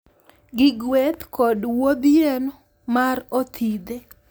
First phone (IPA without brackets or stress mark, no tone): ɡ